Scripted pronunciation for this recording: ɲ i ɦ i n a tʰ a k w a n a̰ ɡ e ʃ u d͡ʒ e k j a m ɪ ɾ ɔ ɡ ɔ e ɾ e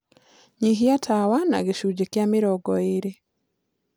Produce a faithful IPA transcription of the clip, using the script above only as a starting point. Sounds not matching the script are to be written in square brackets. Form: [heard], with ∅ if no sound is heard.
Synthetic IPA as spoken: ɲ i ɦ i [∅] a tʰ a [∅] w a n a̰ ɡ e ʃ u d͡ʒ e k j a m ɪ ɾ ɔ ɡ ɔ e ɾ e